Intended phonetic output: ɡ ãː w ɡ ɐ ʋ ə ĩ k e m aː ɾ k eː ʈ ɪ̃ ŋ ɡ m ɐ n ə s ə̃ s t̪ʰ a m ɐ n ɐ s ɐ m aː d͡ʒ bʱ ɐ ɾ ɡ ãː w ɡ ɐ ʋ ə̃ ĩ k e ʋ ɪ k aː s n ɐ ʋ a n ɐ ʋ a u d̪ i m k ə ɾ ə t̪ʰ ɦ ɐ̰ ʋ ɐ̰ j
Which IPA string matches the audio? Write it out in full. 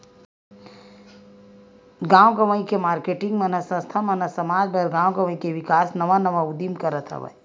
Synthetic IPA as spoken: ɡ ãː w ɡ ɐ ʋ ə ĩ k e m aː ɾ k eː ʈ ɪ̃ ŋ ɡ m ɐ n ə s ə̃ s t̪ʰ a m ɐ n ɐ s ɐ m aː d͡ʒ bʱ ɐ ɾ ɡ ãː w ɡ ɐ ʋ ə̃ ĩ k e ʋ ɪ k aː s n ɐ ʋ a n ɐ ʋ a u d̪ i m k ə ɾ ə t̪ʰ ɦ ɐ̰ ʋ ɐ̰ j